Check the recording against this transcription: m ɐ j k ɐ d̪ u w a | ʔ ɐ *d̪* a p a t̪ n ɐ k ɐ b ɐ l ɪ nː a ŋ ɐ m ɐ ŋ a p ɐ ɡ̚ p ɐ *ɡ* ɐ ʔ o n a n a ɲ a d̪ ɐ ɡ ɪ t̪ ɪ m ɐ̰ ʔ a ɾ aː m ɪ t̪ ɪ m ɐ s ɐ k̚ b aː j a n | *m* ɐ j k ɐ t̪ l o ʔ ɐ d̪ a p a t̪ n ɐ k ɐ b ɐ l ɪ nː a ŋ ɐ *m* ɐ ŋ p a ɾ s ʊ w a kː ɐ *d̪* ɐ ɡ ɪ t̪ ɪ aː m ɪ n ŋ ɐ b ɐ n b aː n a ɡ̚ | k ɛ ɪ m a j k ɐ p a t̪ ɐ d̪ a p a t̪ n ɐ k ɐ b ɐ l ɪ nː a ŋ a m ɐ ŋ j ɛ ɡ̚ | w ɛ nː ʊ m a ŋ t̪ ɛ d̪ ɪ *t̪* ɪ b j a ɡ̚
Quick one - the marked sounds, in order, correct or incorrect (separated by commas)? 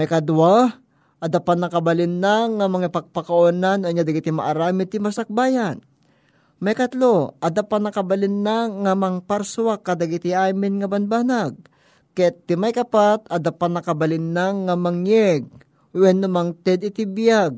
correct, incorrect, correct, correct, correct, correct